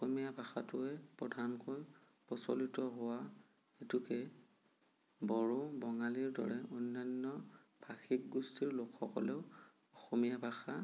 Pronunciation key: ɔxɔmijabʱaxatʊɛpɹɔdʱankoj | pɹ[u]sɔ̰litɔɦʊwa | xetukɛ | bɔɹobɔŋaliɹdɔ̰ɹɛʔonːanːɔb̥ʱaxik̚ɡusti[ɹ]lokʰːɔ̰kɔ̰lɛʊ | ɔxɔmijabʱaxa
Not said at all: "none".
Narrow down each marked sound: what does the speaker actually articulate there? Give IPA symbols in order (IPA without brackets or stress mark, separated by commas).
ɔ, ɹ